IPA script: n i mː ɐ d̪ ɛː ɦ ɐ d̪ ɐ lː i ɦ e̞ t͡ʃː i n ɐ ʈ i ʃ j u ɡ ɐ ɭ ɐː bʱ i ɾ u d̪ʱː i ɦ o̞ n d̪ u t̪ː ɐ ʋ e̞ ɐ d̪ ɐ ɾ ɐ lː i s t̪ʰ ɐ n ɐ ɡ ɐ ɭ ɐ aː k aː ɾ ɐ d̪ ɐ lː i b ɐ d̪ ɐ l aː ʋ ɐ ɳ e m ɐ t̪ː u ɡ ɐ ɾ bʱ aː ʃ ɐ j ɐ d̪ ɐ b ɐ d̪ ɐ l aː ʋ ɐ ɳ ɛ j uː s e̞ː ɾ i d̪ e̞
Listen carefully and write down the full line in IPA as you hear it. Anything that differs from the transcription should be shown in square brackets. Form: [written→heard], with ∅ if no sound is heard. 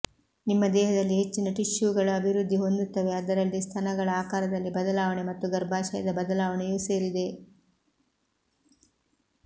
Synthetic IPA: n i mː ɐ d̪ ɛː ɦ ɐ d̪ ɐ lː i ɦ e̞ t͡ʃː i n ɐ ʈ i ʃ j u ɡ ɐ ɭ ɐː bʱ i ɾ u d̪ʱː i ɦ o̞ n d̪ u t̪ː ɐ ʋ e̞ ɐ d̪ ɐ ɾ ɐ lː i s t̪ʰ ɐ n ɐ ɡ ɐ ɭ ɐ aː k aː ɾ ɐ d̪ ɐ lː i b ɐ d̪ ɐ l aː ʋ ɐ ɳ e m ɐ t̪ː u ɡ ɐ ɾ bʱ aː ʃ ɐ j ɐ d̪ ɐ b ɐ d̪ ɐ l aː ʋ ɐ ɳ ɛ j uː s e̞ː ɾ i d̪ e̞

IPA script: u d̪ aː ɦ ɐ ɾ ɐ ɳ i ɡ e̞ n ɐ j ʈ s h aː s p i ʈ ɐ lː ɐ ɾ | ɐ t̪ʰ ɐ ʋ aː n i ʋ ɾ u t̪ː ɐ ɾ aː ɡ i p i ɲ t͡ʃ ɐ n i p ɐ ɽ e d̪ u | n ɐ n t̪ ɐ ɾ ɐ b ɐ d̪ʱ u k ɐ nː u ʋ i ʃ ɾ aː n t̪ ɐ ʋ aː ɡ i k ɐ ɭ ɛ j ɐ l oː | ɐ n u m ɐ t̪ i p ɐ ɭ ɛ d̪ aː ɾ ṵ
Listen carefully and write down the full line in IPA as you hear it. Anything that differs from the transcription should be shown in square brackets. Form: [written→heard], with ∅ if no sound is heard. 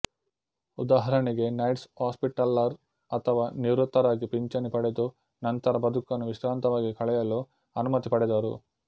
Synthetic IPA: u d̪ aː ɦ ɐ ɾ ɐ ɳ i ɡ e̞ n ɐ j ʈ s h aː s p i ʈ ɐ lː ɐ ɾ | ɐ t̪ʰ ɐ ʋ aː n i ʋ ɾ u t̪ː ɐ ɾ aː ɡ i p i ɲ t͡ʃ ɐ n i p ɐ ɽ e d̪ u | n ɐ n t̪ ɐ ɾ ɐ b ɐ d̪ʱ u k ɐ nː u ʋ i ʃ ɾ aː n t̪ ɐ ʋ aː ɡ i k ɐ ɭ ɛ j ɐ l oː | ɐ n u m ɐ t̪ i p ɐ [ɭ→ɽ] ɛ d̪ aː ɾ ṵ

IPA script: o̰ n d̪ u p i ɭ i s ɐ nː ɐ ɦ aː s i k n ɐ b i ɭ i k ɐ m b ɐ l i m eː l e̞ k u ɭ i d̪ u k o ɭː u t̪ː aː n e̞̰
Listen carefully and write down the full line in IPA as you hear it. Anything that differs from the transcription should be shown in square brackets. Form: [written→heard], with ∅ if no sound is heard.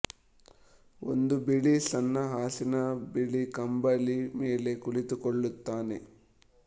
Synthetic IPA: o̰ n d̪ u [p→b] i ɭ i s ɐ nː ɐ ɦ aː s i [k→∅] n ɐ b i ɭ i k ɐ m b ɐ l i m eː l e̞ k u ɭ i [d̪→t̪] u k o ɭː u t̪ː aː n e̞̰

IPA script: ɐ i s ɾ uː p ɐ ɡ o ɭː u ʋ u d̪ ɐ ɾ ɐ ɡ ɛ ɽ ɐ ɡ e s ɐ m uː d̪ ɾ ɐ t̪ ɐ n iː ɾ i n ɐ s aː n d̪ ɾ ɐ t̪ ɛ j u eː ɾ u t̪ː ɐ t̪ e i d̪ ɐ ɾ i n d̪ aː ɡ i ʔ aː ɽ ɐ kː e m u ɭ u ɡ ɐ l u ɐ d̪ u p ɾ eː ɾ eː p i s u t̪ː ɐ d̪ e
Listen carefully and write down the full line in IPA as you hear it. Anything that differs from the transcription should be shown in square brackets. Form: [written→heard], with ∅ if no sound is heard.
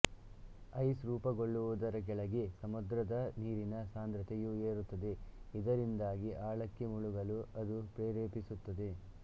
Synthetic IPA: ɐ [i→j] s ɾ uː p ɐ ɡ o ɭː u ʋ u d̪ ɐ ɾ ɐ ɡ ɛ [ɽ→ɭ] ɐ ɡ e s ɐ m [uː→u] d̪ ɾ ɐ [t̪→d̪] ɐ n iː ɾ i n ɐ s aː n d̪ ɾ ɐ t̪ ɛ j u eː ɾ u t̪ː ɐ [t̪→d̪] e i d̪ ɐ ɾ i n d̪ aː ɡ i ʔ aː [ɽ→ɭ] ɐ kː e m u ɭ u ɡ ɐ l u ɐ d̪ u p ɾ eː ɾ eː p i s u t̪ː ɐ d̪ e

